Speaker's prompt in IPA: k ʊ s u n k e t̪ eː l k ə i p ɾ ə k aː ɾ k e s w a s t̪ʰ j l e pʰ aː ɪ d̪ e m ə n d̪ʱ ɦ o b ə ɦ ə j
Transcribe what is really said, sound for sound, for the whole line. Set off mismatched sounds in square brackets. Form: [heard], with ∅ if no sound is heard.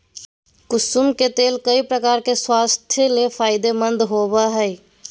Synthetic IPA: k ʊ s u [m] k e t̪ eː l k ə i p ɾ ə k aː ɾ k e s w a s t̪ʰ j l e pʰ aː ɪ d̪ e m ə n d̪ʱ ɦ o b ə ɦ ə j